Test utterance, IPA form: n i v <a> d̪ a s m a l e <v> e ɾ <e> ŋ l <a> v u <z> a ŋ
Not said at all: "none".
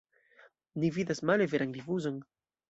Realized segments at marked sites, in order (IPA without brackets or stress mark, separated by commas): i, v, a, i, z